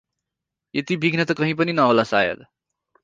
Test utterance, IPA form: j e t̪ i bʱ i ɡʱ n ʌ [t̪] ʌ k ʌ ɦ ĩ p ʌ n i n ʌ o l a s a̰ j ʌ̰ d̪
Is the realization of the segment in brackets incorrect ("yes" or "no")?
no